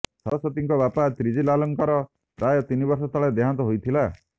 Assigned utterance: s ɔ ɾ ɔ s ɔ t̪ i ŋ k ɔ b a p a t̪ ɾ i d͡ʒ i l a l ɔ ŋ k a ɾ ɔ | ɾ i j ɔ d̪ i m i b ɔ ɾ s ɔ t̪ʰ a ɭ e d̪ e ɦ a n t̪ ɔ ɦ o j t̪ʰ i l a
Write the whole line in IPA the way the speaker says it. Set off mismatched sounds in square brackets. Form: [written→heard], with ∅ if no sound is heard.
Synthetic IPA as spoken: s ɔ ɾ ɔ s ɔ t̪ i ŋ k ɔ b a p a t̪ ɾ i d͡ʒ i l a l ɔ ŋ k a ɾ ɔ | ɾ [i→a] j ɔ [d̪→t̪] i [m→n] i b ɔ ɾ s ɔ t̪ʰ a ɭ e d̪ e ɦ a n t̪ ɔ ɦ o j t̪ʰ i l a